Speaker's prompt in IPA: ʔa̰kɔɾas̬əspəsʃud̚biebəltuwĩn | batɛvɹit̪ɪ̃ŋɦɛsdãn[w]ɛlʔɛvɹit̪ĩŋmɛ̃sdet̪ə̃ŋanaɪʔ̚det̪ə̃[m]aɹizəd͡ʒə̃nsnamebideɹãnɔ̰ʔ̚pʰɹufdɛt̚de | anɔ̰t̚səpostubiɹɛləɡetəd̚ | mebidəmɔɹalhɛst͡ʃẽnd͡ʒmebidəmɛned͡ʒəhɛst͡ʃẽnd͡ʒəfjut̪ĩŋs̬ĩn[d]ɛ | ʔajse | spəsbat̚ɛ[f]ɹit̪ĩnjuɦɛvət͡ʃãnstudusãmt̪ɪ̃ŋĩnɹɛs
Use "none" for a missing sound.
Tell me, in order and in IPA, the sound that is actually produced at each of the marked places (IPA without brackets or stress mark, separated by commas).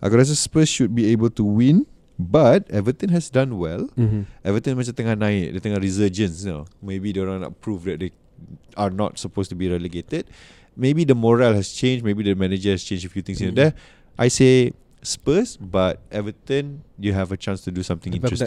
w, ŋ, d, v